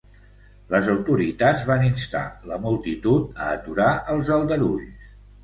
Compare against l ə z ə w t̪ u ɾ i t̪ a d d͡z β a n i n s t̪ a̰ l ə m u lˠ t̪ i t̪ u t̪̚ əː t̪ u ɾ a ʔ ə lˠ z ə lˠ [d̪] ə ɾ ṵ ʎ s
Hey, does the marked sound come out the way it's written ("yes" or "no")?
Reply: yes